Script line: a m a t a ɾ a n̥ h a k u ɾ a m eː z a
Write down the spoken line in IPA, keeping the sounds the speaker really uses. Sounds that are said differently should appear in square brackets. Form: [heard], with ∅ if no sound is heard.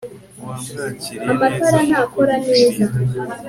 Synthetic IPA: a m a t a ɾ a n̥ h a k [o] ɾ a [n] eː z a